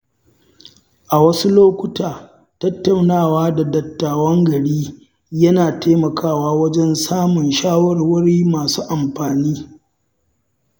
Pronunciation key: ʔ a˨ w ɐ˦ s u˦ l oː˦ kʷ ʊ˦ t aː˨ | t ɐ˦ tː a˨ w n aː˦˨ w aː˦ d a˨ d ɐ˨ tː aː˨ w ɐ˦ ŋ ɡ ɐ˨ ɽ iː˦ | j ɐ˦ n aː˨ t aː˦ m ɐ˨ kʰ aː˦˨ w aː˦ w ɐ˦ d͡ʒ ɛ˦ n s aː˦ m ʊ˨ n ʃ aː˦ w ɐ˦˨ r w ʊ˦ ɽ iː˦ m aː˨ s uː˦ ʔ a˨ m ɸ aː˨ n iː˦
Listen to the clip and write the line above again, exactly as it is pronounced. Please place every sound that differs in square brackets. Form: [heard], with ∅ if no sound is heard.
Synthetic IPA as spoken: ʔ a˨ w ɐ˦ s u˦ l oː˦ kʷ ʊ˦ t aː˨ | t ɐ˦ tː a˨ w n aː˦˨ w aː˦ d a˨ d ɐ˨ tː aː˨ w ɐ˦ ŋ ɡ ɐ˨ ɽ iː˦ | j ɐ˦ n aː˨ t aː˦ m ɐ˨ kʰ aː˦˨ w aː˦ w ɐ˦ d͡ʒ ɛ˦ n s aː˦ m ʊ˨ n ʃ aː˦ w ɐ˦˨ r w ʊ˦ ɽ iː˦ m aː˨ s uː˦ ʔ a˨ m ɸ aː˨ n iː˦